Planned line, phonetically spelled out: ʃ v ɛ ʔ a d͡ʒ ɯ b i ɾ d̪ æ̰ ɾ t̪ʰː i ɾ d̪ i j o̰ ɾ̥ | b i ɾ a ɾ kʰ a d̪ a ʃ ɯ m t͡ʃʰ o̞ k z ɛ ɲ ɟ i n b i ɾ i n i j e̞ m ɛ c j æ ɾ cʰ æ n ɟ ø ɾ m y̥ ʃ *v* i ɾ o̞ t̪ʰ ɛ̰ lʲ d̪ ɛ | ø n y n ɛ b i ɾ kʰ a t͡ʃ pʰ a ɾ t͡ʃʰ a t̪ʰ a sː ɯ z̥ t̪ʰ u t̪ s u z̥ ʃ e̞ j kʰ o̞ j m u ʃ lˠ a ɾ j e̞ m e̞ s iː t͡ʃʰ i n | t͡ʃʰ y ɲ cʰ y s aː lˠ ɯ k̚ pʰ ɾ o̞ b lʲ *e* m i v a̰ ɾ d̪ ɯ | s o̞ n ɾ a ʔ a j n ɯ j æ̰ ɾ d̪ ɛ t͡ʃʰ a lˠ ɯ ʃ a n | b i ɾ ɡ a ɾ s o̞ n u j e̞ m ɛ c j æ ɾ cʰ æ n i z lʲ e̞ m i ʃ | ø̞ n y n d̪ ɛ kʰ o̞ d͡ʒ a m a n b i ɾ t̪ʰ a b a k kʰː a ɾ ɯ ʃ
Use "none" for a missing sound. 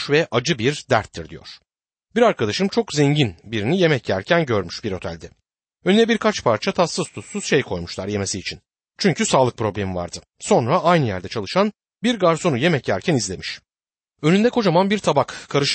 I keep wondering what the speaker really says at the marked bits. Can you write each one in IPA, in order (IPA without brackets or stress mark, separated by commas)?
b, e